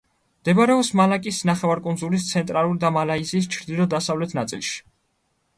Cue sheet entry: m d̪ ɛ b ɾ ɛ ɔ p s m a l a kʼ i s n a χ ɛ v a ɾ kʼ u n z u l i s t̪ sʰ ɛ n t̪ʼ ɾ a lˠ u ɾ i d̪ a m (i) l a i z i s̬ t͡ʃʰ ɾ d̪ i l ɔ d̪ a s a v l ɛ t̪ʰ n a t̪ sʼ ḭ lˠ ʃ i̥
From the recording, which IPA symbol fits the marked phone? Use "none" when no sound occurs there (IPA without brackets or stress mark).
a